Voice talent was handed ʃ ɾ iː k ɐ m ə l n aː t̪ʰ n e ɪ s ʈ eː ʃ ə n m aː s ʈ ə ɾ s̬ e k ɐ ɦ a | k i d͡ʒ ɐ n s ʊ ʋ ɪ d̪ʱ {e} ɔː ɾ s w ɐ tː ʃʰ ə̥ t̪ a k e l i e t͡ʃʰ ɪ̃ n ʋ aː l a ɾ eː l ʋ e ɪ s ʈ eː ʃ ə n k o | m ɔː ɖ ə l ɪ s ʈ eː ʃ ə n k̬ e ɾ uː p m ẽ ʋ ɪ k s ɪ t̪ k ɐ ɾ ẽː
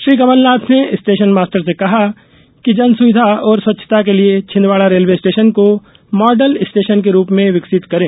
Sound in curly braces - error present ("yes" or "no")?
yes